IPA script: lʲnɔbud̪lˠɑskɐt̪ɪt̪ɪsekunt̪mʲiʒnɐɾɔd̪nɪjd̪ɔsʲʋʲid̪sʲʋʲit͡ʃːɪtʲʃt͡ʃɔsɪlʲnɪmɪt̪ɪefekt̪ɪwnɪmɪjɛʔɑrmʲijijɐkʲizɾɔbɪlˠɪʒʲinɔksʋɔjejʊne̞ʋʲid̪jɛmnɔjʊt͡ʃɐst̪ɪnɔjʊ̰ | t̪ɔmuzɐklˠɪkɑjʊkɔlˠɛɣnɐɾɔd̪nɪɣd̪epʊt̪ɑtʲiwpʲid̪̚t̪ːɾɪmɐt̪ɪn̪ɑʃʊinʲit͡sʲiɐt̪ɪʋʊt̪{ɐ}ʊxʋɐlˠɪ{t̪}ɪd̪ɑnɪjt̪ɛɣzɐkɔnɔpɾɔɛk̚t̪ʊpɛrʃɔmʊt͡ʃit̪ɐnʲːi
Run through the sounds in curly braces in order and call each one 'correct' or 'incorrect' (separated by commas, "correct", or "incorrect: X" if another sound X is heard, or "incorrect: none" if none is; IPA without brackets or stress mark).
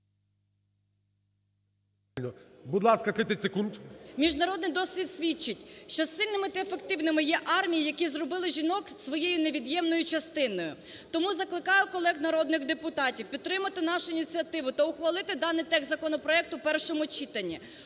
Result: correct, correct